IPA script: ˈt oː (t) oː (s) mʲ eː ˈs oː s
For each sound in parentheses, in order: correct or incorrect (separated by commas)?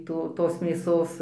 correct, correct